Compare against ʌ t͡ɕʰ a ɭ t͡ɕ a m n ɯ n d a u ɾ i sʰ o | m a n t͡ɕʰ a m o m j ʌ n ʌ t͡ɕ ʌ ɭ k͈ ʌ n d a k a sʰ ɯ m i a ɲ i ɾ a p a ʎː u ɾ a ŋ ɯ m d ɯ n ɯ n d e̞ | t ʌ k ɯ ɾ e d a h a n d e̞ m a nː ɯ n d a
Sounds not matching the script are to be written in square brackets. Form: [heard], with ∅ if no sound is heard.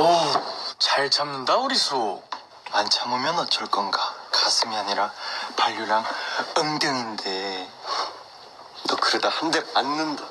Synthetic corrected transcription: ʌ [t͡ɕ] a ɭ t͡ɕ a m n ɯ n d a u ɾ i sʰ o | m a n t͡ɕʰ a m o m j ʌ n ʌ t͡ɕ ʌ ɭ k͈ ʌ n [ɡ] a k a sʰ ɯ m i a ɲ i ɾ a p a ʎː u ɾ a ŋ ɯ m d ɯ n ɯ n d e̞ | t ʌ k ɯ ɾ e d a h a n d e̞ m a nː ɯ n d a